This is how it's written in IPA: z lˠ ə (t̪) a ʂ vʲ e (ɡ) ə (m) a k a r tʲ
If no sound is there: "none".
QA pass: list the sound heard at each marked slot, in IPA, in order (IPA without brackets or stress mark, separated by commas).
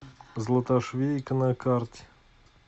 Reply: t̪, k, n